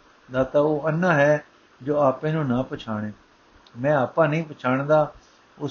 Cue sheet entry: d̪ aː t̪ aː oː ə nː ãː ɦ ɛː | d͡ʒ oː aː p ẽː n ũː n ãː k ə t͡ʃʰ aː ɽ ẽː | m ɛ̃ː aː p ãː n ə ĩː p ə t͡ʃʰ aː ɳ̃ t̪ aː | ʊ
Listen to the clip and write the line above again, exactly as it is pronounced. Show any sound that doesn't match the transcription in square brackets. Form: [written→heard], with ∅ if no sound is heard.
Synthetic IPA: d̪ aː t̪ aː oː ə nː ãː ɦ ɛː | d͡ʒ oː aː p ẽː n ũː n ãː [k→p] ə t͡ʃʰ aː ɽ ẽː | m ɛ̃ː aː p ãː n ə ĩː p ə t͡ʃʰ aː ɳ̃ [t̪→d̪] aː | ʊ